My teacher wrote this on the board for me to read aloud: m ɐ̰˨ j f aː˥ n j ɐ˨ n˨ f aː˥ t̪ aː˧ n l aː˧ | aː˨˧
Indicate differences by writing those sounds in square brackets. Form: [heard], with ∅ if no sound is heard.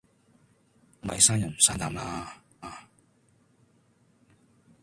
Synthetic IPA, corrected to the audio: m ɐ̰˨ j [s] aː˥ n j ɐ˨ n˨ [s] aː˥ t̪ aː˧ [m] l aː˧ | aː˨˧